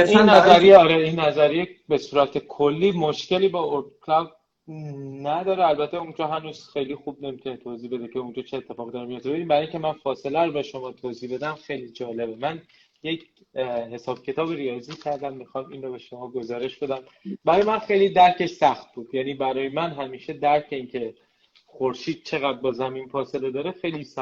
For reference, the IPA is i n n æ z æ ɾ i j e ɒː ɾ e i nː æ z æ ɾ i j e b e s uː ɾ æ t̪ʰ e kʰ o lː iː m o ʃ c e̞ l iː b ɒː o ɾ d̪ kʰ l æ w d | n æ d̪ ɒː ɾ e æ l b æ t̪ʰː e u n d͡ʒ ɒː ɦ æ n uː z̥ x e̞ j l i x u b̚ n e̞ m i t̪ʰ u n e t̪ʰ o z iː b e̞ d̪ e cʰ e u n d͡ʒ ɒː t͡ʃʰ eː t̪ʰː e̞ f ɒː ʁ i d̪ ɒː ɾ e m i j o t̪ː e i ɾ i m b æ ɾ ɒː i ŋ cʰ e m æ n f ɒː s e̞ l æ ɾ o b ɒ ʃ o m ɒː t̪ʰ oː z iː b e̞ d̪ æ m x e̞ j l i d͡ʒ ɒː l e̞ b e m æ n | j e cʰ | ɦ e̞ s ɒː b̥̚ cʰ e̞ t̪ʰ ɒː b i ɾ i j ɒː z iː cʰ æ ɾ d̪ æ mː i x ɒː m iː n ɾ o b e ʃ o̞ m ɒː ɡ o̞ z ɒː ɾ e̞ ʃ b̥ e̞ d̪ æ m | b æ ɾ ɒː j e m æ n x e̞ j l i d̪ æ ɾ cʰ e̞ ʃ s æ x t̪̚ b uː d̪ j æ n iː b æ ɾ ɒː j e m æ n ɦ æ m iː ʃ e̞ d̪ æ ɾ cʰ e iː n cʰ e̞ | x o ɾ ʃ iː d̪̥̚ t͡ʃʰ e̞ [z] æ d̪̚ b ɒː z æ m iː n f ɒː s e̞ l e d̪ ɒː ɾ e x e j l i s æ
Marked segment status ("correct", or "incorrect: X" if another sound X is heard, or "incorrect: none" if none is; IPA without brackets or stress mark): incorrect: ɣ